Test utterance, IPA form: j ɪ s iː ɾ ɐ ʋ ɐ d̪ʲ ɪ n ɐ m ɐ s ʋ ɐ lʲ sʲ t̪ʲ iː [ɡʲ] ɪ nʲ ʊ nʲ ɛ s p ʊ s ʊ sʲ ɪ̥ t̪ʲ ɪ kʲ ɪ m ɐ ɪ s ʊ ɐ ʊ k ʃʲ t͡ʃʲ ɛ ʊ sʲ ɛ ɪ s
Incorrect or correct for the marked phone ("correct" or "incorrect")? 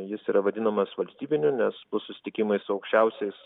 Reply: incorrect